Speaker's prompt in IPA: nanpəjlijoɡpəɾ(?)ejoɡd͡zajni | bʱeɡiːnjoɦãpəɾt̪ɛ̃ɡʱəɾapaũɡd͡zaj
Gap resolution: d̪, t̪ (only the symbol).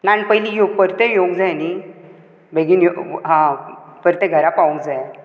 t̪